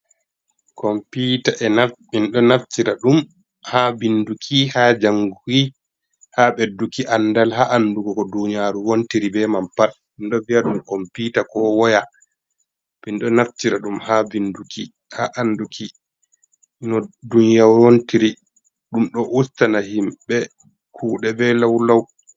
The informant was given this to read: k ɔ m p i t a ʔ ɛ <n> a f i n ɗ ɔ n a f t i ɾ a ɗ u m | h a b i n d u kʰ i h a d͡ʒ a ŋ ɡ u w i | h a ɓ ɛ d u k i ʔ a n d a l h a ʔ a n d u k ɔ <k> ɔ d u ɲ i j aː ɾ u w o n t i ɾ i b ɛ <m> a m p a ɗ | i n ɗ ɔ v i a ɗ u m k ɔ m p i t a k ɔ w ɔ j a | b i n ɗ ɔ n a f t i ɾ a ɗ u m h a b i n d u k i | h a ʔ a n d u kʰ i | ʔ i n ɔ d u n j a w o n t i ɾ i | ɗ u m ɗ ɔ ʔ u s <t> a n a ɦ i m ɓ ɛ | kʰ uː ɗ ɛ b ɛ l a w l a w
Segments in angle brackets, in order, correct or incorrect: correct, correct, correct, correct

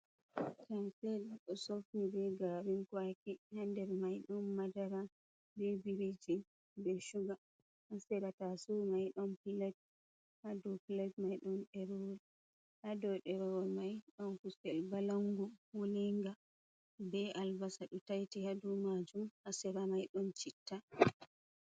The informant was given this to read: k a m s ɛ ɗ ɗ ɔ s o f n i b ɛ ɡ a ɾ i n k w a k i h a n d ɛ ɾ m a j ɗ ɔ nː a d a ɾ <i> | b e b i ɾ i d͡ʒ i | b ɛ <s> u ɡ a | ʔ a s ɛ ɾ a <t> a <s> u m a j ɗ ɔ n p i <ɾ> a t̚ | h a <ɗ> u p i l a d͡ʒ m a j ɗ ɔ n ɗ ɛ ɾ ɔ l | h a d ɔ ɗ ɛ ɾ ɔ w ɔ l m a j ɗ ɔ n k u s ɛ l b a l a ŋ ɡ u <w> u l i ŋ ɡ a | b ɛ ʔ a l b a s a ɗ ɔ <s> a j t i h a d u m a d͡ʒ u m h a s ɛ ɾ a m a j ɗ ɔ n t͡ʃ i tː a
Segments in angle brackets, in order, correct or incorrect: incorrect: a, incorrect: ʃ, correct, correct, incorrect: l, incorrect: d, correct, incorrect: t

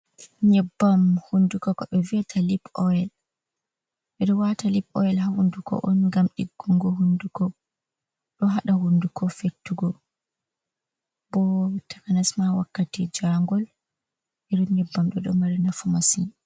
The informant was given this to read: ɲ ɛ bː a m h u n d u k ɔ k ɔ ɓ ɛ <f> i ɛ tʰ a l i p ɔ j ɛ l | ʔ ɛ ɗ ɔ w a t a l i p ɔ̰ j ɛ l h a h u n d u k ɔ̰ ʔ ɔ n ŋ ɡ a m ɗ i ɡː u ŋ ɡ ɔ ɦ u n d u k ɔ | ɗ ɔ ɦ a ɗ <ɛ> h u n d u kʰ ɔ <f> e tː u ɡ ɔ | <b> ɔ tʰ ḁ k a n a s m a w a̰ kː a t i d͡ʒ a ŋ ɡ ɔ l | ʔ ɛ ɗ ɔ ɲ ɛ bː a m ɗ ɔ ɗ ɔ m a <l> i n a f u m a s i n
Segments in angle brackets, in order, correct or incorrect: incorrect: v, incorrect: a, correct, correct, incorrect: ɾ

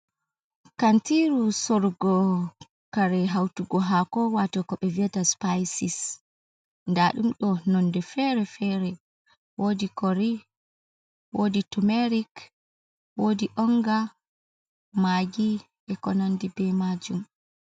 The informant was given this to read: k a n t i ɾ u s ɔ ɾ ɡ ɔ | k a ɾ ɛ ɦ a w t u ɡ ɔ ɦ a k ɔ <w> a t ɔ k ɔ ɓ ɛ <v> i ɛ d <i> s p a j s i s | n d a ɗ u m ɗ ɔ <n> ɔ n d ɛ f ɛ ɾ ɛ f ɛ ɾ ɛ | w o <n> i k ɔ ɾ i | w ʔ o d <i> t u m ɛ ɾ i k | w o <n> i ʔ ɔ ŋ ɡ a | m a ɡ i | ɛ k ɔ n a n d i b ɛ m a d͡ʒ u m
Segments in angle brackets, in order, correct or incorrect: correct, correct, incorrect: a, correct, incorrect: d, correct, incorrect: d

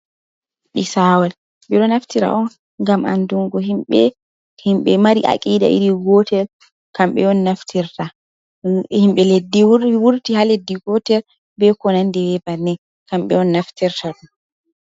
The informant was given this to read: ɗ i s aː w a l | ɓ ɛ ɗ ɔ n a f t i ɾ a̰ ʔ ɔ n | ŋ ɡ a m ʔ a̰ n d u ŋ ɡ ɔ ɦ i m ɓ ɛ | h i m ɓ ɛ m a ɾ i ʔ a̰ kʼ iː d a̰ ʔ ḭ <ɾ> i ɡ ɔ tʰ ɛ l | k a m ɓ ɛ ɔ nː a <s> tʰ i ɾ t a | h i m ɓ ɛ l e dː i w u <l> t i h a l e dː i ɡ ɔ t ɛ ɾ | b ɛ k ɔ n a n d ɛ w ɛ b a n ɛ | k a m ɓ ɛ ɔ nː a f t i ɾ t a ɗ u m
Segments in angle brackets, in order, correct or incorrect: correct, incorrect: f, incorrect: ɾ

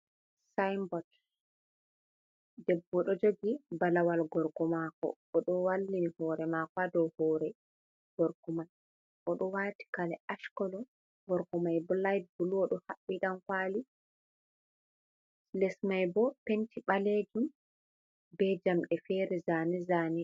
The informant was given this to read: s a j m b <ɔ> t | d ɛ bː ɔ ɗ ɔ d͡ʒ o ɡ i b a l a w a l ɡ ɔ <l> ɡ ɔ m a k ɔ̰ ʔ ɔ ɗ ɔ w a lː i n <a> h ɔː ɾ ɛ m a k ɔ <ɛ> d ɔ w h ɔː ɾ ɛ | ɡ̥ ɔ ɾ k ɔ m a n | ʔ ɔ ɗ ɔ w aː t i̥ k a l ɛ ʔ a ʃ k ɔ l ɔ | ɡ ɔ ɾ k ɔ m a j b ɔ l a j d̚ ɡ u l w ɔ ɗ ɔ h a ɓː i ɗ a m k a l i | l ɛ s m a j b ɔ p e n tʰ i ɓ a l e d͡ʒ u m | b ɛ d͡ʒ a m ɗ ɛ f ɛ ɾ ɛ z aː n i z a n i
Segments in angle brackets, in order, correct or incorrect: correct, incorrect: ɾ, incorrect: i, incorrect: a

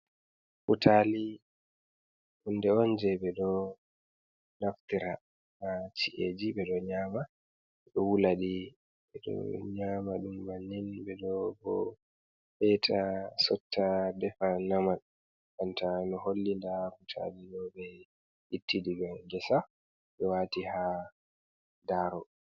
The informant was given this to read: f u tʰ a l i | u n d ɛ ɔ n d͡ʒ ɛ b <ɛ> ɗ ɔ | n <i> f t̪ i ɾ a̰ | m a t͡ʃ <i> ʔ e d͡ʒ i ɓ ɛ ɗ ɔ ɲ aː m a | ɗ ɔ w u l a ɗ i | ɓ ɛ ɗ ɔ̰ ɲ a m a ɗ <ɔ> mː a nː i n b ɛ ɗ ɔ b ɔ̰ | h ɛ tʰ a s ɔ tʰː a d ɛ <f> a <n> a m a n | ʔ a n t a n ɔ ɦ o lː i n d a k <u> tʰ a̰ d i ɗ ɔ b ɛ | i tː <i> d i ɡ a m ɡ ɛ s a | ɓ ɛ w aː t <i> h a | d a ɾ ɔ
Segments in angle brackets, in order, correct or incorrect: correct, incorrect: a, correct, incorrect: u, correct, correct, correct, correct, correct

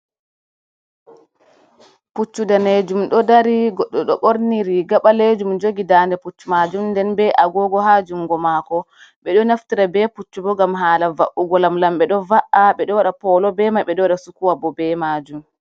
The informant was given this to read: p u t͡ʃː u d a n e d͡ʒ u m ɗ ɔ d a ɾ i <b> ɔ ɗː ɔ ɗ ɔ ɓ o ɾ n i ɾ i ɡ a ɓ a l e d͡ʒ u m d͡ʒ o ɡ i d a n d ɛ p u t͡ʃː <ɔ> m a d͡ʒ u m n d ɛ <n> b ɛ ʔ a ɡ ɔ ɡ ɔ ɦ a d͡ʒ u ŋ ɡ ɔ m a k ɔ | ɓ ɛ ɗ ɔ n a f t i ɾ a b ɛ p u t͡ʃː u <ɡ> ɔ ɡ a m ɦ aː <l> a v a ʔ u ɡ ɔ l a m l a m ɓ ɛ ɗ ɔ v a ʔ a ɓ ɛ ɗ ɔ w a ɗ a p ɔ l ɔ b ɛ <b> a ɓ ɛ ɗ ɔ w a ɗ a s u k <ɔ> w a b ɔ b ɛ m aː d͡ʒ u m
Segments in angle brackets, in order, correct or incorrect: incorrect: ɡ, incorrect: u, correct, incorrect: b, correct, incorrect: m, incorrect: u

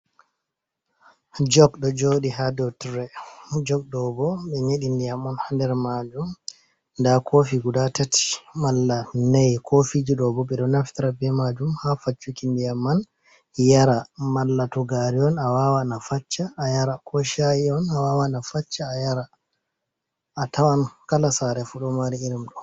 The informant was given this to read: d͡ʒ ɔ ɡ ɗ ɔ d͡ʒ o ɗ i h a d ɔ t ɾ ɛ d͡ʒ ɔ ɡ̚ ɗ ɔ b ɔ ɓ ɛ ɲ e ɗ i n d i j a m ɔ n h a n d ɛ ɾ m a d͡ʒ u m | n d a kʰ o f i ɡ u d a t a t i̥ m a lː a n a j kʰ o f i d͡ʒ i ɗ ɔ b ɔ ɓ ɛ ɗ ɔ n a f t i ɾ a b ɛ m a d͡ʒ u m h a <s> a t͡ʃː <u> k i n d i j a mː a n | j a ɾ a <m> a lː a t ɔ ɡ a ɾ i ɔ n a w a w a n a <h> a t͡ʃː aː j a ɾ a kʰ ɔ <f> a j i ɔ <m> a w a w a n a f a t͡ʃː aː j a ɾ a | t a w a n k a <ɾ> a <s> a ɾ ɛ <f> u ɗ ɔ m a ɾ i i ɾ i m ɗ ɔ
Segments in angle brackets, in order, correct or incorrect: incorrect: f, correct, correct, incorrect: f, incorrect: ʃ, incorrect: n, incorrect: l, correct, correct

